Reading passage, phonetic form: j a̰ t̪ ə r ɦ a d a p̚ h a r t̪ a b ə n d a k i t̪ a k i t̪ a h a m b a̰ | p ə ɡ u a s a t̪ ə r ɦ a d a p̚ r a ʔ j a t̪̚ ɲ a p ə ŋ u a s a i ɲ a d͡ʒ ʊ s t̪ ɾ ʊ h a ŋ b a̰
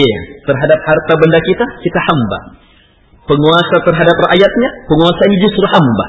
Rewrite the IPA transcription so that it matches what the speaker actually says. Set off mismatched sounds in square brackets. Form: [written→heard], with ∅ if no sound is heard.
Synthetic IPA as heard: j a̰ t̪ ə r ɦ a d a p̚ h a r t̪ a b ə n d a k i t̪ a k i t̪ a h a m b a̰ | p ə [ɡ→ŋ] u a s a t̪ ə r ɦ a d a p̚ r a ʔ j a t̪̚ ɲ a p ə ŋ u a s a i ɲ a d͡ʒ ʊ s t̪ ɾ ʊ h a [ŋ→m] b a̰